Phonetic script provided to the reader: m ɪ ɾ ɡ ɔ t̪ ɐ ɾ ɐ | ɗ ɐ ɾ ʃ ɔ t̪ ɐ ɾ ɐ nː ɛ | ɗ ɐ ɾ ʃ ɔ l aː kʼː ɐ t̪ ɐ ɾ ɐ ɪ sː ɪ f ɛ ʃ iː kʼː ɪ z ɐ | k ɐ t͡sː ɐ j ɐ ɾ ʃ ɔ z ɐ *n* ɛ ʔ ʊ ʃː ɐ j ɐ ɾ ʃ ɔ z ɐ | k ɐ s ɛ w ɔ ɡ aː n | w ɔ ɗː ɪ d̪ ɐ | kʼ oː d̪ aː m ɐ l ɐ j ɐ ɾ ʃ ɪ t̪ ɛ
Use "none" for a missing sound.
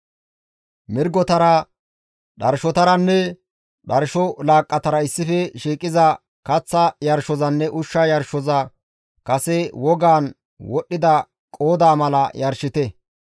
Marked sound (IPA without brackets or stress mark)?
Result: nː